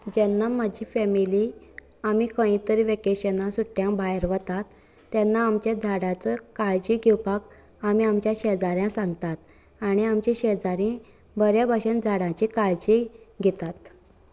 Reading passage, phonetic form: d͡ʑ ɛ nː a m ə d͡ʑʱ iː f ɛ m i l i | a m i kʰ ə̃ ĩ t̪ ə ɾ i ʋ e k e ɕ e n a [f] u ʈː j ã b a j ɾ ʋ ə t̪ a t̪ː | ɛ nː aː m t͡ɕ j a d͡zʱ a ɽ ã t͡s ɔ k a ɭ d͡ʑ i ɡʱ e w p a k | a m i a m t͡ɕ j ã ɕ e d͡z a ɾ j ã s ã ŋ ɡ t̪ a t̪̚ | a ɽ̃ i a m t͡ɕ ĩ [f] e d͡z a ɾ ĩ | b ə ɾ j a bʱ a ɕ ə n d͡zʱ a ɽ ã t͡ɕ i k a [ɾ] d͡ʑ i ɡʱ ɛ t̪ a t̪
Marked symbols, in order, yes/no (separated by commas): no, no, no